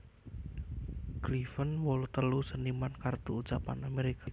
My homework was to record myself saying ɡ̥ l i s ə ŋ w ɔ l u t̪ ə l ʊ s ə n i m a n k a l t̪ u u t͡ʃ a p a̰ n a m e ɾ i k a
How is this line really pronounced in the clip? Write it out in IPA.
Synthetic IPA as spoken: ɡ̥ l i f ə n w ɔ l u t̪ ə l u s ə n i m a n k a r t̪ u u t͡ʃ a p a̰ n a m e ɾ i k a